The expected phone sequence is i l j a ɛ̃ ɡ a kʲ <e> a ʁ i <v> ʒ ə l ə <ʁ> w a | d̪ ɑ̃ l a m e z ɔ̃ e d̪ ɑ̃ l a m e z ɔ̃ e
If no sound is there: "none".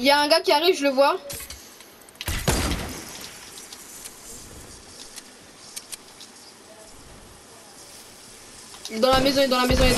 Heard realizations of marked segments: i, v, v

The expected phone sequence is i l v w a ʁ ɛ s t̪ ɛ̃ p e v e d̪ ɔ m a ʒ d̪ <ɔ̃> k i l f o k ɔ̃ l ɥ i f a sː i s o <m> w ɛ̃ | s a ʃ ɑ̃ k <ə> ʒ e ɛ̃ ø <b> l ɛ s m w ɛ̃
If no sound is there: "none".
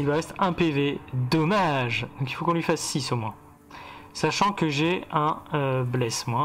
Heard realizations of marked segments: ɔ̃, m, ə, b

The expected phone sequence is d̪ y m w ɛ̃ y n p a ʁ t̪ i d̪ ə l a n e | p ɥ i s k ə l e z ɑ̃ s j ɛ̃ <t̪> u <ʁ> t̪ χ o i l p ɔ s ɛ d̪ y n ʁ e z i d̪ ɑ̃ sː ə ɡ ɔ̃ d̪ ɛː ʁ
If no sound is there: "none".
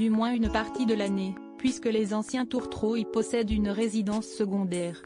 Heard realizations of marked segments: t̪, ʁ

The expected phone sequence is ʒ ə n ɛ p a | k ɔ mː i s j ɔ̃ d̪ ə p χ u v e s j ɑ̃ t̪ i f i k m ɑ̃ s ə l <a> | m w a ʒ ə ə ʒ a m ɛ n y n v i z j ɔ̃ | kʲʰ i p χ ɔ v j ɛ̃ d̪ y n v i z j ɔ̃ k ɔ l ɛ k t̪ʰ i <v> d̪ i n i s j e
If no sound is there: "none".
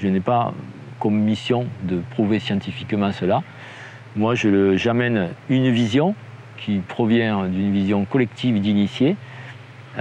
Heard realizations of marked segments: a, v

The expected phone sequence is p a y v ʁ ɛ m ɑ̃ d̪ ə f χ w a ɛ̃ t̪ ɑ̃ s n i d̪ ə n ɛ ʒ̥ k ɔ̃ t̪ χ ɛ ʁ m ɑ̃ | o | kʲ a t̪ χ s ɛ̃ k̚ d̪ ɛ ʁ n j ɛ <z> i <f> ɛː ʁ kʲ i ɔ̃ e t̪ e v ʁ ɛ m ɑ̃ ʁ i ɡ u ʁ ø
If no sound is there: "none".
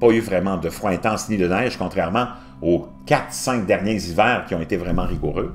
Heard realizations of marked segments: z, v

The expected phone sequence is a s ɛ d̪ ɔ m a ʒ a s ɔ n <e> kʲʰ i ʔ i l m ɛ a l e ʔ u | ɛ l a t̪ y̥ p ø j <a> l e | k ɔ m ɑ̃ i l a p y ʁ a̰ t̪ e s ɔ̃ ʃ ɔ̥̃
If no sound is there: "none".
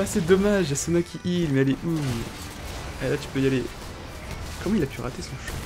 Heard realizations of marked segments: a, a

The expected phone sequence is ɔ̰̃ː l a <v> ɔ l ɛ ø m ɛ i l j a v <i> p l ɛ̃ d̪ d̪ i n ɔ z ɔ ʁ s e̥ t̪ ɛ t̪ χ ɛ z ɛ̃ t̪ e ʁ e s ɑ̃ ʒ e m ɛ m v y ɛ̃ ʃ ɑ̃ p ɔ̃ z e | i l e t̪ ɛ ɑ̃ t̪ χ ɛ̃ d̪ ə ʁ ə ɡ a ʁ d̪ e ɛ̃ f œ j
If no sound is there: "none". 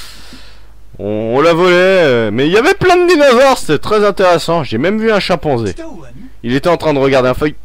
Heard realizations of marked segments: v, ɛ

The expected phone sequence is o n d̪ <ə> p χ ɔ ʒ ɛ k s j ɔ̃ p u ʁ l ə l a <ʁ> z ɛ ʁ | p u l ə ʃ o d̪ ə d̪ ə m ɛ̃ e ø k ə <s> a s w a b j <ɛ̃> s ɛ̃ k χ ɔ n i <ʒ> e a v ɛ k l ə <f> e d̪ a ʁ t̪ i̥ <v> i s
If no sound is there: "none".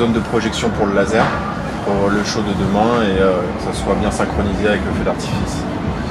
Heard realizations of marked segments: ə, none, s, ɛ̃, z, f, f

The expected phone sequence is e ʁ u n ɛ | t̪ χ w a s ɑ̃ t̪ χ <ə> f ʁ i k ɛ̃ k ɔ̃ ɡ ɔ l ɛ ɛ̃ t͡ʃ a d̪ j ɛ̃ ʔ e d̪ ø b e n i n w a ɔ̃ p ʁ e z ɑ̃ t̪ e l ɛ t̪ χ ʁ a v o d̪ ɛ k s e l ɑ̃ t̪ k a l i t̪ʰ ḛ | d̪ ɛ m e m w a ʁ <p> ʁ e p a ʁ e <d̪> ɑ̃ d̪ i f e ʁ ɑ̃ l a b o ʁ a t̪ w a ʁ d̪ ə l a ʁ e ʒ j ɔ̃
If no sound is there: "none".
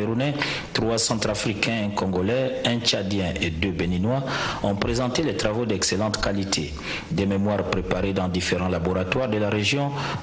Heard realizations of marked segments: a, p, d̪

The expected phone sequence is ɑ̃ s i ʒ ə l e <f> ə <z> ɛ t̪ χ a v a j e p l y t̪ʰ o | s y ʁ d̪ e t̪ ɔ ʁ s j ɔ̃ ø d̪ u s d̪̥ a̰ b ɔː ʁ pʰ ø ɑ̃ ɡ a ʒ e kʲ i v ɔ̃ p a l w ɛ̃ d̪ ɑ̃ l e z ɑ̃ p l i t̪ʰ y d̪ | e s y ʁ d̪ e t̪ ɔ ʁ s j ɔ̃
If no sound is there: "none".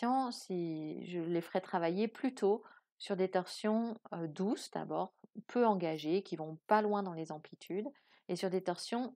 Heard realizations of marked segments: f, ʁ

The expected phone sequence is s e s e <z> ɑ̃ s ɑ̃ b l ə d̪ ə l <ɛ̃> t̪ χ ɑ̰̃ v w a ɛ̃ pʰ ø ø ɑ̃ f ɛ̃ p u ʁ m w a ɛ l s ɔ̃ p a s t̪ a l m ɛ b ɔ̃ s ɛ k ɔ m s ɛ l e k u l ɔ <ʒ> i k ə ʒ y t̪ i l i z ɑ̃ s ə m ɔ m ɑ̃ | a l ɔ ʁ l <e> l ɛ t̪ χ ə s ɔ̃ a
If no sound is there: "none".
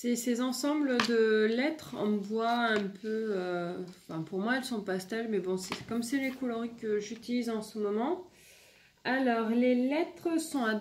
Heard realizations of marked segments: z, ɛ, ʁ, e

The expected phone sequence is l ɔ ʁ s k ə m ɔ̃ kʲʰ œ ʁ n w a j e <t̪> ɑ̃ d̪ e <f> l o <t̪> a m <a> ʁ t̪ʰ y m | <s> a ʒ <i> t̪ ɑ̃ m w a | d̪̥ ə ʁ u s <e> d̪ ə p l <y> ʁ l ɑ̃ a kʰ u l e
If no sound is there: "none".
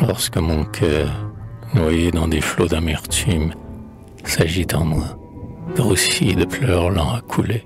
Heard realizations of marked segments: d̪, f, d̪, ɛ, s, i, i, œ

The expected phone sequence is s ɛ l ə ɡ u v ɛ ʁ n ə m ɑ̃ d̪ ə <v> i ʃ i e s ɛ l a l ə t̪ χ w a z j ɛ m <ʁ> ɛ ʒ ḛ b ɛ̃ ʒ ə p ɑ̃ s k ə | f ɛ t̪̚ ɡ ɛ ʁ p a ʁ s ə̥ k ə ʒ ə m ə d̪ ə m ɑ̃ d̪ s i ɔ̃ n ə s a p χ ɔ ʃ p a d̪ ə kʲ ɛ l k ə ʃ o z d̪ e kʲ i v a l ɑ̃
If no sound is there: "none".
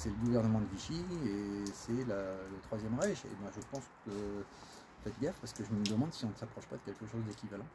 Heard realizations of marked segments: v, ʁ

